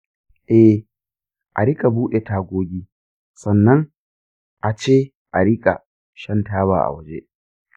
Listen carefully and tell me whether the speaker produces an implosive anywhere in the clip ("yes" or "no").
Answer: yes